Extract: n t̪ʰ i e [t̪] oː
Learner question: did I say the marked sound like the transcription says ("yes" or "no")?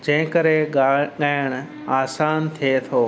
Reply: no